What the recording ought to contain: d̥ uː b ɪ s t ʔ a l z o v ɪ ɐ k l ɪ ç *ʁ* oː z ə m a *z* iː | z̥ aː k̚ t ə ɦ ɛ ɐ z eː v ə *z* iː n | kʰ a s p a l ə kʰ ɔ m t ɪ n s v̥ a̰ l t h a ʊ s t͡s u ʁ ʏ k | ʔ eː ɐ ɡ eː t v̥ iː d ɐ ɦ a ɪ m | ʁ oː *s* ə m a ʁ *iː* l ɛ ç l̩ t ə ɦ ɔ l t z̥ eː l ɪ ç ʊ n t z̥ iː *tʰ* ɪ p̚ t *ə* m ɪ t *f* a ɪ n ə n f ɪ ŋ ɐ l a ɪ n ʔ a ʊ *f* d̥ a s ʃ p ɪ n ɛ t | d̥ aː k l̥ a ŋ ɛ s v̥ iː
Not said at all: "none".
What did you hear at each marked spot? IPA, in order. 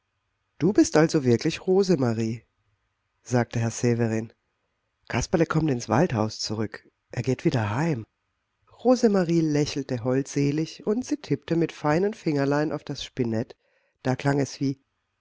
ʁ, ʁ, ʁ, z, iː, tʰ, ə, f, f

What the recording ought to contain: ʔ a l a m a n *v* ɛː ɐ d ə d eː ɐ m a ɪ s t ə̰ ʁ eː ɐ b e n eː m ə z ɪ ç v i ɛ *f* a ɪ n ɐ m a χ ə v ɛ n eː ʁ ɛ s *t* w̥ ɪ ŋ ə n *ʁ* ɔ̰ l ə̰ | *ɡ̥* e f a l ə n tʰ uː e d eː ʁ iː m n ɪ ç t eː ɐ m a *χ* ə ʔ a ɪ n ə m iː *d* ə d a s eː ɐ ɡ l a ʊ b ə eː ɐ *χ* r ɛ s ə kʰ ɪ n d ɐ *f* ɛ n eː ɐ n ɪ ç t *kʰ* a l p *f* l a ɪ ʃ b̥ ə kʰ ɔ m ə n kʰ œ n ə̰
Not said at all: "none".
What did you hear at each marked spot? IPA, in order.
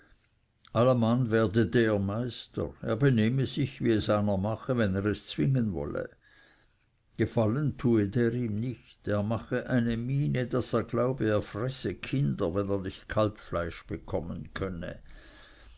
v, s, t͡s, v, ɡ̥, χ, n, f, v, kʰ, f

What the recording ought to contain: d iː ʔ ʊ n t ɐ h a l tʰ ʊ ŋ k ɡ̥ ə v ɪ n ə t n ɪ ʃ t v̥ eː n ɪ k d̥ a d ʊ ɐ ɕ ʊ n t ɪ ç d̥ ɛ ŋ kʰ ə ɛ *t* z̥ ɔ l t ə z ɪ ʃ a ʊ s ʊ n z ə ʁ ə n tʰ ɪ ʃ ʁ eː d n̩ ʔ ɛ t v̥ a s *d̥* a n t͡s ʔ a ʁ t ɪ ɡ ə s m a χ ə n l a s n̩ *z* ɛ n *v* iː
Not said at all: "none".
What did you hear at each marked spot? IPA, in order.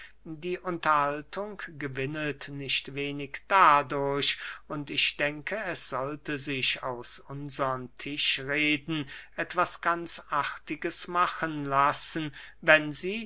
s, ɡ̥, v, z

